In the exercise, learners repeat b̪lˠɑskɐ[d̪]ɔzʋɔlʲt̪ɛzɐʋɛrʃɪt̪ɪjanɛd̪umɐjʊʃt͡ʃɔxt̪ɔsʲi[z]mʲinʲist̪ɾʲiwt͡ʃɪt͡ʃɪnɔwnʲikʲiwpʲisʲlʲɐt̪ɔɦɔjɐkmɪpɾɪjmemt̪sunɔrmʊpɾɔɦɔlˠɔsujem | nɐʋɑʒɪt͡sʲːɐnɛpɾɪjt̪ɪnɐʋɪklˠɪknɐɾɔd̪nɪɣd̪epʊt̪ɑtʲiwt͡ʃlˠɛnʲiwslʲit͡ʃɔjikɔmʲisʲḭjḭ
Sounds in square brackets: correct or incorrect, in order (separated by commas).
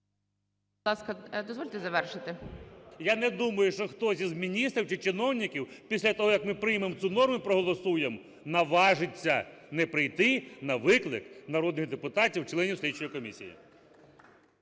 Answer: correct, correct